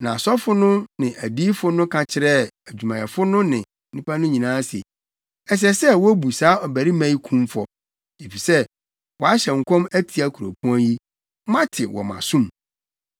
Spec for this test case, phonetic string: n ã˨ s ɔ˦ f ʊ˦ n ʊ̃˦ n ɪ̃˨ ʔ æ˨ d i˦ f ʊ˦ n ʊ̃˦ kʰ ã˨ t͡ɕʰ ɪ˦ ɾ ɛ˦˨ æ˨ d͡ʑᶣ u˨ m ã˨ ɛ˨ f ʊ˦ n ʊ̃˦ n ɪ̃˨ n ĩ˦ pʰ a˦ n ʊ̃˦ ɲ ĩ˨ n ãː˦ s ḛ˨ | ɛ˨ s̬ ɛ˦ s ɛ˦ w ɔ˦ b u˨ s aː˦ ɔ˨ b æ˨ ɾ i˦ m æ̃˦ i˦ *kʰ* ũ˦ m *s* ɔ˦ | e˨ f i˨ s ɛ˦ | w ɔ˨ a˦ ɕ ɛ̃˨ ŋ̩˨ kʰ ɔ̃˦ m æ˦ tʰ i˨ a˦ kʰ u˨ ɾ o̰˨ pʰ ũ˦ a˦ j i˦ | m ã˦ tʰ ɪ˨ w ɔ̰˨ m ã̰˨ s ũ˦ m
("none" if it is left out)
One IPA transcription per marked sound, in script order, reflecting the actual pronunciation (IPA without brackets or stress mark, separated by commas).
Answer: kʰ, f